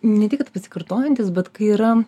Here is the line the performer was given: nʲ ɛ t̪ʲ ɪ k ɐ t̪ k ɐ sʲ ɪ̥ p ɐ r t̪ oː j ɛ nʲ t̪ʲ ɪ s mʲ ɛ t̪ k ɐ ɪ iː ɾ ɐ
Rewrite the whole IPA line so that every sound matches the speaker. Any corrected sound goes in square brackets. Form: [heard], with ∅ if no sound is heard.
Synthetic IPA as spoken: nʲ ɛ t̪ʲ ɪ k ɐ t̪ [p] ɐ sʲ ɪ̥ [k] ɐ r t̪ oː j ɛ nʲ t̪ʲ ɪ s [bʲ] ɛ t̪ k ɐ ɪ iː ɾ ɐ